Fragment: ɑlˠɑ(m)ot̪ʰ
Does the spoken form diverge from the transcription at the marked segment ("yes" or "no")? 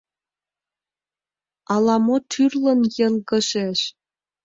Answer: no